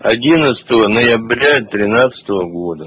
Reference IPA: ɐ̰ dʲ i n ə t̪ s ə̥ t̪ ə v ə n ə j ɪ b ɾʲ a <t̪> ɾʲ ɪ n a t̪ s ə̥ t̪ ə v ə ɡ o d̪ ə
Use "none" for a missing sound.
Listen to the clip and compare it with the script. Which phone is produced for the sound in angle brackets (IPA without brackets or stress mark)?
t̪